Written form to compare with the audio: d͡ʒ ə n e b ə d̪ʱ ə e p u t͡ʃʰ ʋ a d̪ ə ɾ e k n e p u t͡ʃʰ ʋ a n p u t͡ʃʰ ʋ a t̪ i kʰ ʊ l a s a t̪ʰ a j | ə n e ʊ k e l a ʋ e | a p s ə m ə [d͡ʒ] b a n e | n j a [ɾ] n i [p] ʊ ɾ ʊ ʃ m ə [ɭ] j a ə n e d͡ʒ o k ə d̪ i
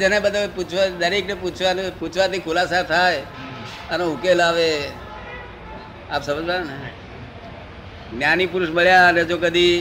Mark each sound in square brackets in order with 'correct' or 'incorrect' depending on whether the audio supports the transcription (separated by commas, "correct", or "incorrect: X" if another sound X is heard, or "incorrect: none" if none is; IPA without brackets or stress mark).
correct, incorrect: none, correct, correct